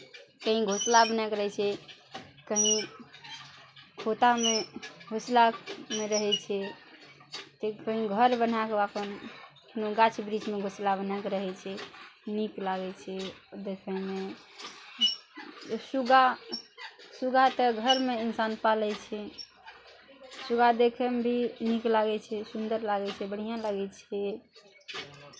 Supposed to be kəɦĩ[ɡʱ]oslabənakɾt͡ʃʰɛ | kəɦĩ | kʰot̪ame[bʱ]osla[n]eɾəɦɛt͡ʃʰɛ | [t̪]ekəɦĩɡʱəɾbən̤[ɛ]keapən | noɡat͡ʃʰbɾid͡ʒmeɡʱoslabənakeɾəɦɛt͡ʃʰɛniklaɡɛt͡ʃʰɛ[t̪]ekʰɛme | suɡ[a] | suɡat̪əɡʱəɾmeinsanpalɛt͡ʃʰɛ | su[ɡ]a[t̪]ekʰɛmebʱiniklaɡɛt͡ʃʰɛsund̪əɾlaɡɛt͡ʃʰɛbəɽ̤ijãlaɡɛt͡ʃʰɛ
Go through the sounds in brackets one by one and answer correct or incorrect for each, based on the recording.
correct, incorrect: ɡʱ, incorrect: m, correct, incorrect: a, incorrect: d̪, correct, correct, incorrect: d̪

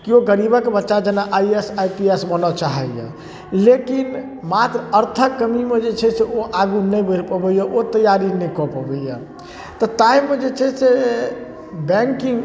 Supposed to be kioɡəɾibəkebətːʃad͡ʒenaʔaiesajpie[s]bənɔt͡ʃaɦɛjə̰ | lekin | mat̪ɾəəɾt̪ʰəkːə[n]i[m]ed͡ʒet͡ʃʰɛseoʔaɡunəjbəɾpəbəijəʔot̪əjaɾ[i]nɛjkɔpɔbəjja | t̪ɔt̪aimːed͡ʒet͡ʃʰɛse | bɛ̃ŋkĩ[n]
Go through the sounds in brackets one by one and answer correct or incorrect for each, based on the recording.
correct, incorrect: m, correct, correct, incorrect: ŋ

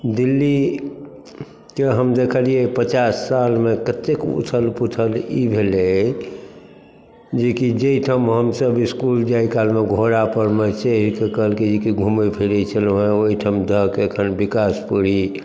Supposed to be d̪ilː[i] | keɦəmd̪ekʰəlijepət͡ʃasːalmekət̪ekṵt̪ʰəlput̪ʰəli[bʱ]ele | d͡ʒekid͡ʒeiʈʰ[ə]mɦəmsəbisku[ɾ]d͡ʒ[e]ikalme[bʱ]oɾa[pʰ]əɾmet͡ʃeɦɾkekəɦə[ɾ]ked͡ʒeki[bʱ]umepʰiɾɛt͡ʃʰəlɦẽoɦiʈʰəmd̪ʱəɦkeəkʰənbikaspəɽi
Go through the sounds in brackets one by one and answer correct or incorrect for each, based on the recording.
correct, correct, correct, incorrect: l, incorrect: a, incorrect: ɡʱ, incorrect: p, incorrect: l, incorrect: ɡʱ

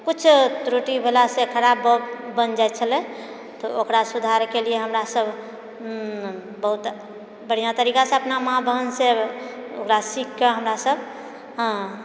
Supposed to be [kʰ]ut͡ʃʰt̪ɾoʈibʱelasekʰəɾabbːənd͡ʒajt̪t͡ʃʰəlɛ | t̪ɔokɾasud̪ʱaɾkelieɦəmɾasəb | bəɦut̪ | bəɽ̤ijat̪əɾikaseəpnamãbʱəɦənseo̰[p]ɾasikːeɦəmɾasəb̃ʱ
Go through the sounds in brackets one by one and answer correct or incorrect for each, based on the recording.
incorrect: k, incorrect: k

